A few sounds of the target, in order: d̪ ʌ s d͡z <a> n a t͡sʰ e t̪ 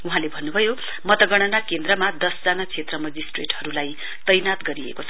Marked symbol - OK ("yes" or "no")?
yes